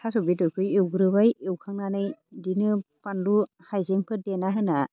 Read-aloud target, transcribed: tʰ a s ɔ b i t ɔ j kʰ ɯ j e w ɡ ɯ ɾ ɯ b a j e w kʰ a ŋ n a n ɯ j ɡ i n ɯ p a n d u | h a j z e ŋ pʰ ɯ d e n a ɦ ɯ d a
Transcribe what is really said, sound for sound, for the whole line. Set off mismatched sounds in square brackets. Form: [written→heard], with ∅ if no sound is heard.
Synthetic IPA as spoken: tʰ a s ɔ b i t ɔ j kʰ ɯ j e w ɡ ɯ ɾ ɯ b a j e w kʰ a ŋ n a n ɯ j [ɡ→d] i n ɯ p a n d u | h a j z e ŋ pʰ ɯ d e n a ɦ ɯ [d→n] a